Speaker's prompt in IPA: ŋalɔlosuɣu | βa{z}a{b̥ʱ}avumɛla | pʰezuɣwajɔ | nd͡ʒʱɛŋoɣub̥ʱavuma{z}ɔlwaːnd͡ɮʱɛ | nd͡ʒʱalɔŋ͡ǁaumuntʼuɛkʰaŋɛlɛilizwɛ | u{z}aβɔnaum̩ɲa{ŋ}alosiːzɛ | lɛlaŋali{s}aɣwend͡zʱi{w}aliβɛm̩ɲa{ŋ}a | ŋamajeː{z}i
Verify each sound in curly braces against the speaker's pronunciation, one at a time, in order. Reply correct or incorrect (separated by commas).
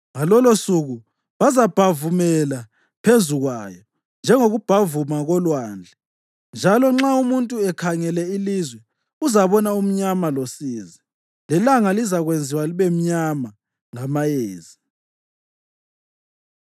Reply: correct, correct, incorrect, correct, incorrect, incorrect, correct, incorrect, correct